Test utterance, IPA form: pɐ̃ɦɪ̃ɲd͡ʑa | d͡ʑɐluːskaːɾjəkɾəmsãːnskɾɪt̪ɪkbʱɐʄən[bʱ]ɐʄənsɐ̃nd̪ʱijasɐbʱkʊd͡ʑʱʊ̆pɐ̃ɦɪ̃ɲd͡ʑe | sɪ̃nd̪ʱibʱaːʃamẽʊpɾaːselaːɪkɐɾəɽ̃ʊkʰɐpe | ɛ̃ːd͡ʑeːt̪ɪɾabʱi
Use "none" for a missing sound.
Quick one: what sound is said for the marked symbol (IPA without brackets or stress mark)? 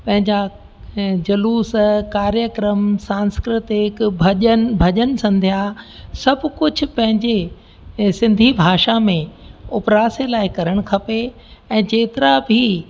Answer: bʱ